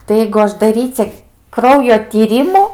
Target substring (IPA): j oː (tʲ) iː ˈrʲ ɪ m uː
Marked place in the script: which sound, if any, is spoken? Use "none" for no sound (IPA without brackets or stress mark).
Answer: tʲ